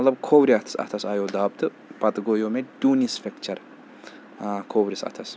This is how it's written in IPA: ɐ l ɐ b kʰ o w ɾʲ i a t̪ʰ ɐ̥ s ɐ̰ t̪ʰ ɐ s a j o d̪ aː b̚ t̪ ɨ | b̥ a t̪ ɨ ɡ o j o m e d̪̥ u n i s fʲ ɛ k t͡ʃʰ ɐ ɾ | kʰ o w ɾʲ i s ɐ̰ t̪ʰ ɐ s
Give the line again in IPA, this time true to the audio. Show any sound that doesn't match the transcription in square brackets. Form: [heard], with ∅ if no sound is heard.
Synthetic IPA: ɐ l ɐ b kʰ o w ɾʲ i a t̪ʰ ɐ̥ s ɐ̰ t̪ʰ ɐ s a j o d̪ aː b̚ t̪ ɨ | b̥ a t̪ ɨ ɡ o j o m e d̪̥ u n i s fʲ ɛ k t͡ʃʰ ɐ ɾ | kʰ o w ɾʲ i s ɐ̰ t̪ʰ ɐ s

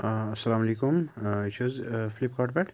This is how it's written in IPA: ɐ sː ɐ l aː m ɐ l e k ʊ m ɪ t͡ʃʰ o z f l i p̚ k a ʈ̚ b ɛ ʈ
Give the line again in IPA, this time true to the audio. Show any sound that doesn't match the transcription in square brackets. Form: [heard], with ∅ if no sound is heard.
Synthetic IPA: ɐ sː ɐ l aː m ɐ l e k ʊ m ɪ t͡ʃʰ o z f l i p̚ k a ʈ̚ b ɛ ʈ

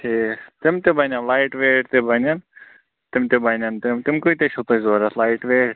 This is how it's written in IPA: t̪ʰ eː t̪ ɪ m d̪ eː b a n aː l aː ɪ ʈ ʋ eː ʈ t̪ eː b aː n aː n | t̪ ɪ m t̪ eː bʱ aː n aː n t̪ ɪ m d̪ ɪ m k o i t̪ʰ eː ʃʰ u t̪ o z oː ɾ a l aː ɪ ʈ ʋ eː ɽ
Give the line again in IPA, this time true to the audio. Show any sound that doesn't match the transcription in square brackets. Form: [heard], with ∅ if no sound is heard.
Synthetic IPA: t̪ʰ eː t̪ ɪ m [t̪] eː b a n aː l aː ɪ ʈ ʋ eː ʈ t̪ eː b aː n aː n | t̪ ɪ m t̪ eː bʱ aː n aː n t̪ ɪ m [t̪] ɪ m k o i [t̪] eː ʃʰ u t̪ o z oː ɾ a l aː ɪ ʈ ʋ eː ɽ

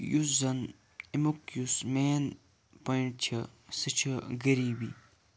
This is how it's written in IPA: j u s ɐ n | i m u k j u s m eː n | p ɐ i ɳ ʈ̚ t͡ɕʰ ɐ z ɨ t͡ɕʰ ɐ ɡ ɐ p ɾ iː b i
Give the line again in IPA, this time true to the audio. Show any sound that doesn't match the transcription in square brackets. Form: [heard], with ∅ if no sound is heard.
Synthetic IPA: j u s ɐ n | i m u k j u s m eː n | p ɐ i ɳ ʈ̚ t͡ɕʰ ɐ [s] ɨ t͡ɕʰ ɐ ɡ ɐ [∅] ɾ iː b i

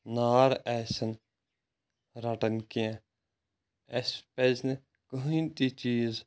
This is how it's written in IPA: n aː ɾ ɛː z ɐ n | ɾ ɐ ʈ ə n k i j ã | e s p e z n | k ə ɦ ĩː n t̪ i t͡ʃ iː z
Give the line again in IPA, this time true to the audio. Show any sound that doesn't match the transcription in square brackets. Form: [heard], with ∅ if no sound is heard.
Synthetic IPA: n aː ɾ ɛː [s] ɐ n | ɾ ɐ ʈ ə n k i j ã | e s p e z n | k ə ɦ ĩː n t̪ i t͡ʃ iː z

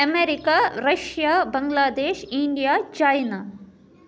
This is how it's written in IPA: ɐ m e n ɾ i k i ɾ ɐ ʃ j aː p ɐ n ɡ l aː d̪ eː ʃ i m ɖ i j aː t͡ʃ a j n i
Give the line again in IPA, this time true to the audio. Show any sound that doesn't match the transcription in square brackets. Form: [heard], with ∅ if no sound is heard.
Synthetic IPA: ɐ m e [∅] ɾ i k [a] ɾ ɐ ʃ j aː [b] ɐ [ŋ] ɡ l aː d̪ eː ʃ i [ɳ] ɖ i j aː t͡ʃ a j n [a]

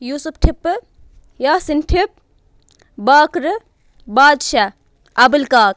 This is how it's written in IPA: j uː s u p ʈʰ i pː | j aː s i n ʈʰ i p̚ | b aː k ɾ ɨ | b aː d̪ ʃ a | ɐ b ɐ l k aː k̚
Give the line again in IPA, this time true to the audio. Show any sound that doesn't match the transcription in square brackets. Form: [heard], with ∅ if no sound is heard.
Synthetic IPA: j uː s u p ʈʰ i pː | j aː s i n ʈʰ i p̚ | b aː k ɾ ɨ | b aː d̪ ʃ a | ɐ b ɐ l k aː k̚

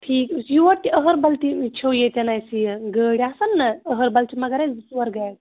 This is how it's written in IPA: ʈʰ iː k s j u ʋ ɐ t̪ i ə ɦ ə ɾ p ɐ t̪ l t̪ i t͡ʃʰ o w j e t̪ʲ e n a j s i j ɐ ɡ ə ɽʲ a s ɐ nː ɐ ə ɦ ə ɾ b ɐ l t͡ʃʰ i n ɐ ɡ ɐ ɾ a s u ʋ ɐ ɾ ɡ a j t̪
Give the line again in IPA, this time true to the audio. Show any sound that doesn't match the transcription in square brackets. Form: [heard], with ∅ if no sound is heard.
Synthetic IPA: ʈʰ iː k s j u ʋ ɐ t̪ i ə ɦ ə ɾ [b] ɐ [∅] l t̪ i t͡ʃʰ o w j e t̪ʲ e n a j s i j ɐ ɡ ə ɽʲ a s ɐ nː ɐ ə ɦ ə ɾ b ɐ l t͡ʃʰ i [m] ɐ ɡ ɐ ɾ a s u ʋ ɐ ɾ ɡ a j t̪

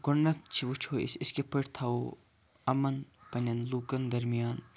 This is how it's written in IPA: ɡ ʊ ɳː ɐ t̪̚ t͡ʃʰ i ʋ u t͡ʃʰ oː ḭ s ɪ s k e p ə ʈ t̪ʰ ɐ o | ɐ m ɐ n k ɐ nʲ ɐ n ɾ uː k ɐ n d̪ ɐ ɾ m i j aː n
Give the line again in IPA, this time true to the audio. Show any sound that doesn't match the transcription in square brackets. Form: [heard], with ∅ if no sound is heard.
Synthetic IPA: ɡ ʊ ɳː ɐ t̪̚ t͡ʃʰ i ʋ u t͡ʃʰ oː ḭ s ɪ s k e p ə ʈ t̪ʰ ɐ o | ɐ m ɐ n [p] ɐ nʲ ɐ n [l] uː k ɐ n d̪ ɐ ɾ m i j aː n

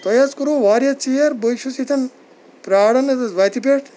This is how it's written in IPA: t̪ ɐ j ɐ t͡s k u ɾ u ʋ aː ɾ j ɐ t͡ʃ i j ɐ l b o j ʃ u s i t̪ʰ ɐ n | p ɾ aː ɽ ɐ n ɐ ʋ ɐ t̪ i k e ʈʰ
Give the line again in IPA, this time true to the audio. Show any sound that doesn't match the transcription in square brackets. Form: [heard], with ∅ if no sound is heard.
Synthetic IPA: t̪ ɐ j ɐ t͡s k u ɾ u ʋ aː ɾ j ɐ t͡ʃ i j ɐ [ɾ] b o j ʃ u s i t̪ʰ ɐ n | p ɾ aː ɽ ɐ n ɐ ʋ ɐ t̪ i [p] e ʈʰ

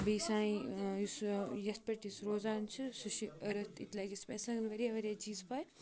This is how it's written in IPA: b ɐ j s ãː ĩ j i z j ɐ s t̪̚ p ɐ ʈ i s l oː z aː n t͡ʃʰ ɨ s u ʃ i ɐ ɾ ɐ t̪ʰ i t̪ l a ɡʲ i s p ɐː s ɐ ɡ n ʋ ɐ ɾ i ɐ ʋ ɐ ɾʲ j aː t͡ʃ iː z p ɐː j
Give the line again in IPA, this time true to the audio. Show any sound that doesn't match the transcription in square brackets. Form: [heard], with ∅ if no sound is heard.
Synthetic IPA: b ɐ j s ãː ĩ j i [s] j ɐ s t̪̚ p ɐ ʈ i s [ɾ] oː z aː n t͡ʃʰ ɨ s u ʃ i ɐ ɾ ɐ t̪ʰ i t̪ l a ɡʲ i s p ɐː s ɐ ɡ n ʋ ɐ ɾ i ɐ ʋ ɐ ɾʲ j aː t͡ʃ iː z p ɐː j

